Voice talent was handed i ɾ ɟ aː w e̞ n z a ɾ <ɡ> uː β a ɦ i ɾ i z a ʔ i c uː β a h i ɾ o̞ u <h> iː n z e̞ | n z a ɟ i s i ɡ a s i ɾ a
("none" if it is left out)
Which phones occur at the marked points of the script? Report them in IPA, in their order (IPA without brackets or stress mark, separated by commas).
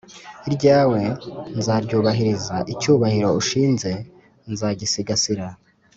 ɟ, ʃ